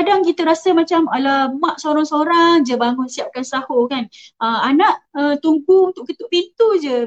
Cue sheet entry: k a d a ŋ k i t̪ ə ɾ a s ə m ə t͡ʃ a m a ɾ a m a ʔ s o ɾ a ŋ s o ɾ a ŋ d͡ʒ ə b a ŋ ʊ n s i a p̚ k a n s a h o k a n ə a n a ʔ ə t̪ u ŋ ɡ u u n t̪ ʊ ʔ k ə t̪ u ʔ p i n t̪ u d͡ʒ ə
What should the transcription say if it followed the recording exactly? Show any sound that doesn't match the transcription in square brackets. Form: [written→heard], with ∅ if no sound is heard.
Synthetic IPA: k a d a ŋ k i t̪ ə ɾ a s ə m [ə→a] t͡ʃ a m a [ɾ→l] a m a ʔ s o ɾ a ŋ s o ɾ a ŋ d͡ʒ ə b a ŋ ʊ n s i a p̚ k a n s a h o k a n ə a n a ʔ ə t̪ u ŋ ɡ u u n t̪ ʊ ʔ k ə t̪ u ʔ p i n t̪ u d͡ʒ ə